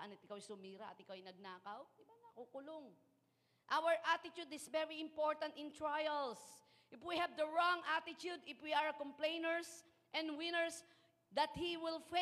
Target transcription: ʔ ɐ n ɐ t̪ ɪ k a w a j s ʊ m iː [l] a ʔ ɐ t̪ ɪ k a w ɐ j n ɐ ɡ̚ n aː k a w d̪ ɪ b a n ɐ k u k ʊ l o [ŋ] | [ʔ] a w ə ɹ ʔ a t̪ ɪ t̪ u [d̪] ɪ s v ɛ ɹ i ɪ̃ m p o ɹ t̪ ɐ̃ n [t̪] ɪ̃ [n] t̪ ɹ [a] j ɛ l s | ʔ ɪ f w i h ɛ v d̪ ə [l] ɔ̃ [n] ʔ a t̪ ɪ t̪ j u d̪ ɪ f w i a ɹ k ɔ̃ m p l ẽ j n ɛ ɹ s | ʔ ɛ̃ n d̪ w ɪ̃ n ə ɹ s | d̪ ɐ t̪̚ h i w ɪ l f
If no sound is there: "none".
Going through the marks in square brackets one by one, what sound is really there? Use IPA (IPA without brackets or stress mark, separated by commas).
ɾ, ŋ, ʔ, d̪, t̪, n, a, ɹ, ŋ